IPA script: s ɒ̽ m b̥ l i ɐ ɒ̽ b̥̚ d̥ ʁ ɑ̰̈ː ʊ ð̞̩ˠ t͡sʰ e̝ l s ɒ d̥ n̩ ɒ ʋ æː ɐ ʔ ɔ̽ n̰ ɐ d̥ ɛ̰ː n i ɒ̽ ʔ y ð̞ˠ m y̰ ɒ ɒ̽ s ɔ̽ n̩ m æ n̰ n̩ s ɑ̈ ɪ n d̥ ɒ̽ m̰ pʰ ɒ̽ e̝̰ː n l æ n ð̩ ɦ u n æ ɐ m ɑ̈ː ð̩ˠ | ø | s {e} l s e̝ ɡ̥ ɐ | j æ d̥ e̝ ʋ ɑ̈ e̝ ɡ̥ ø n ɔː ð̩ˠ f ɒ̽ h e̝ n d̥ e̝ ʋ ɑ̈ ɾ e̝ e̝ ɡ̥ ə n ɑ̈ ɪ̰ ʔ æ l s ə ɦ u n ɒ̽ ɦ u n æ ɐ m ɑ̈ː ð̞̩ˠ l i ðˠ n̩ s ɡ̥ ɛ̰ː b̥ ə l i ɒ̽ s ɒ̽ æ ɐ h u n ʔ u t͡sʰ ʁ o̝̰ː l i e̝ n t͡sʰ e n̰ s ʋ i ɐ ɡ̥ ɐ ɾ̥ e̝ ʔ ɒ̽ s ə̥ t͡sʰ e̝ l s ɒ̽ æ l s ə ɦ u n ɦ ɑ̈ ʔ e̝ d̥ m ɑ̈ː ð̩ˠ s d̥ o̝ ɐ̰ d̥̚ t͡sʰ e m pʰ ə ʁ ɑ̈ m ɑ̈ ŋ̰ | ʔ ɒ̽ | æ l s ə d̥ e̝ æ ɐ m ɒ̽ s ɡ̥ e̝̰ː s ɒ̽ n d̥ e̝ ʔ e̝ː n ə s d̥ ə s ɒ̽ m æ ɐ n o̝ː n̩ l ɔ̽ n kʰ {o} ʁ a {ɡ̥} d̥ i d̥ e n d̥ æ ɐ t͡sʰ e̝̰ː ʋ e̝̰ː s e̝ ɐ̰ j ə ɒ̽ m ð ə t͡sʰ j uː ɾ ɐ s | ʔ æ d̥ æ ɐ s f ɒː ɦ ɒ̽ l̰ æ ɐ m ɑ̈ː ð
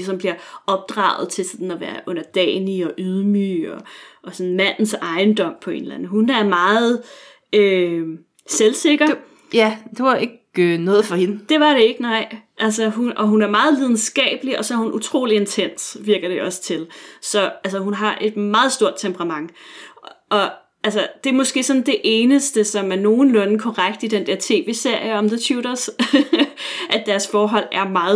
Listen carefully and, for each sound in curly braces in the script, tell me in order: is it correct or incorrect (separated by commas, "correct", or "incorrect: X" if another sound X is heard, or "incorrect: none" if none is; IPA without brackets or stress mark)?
correct, incorrect: ɒ, correct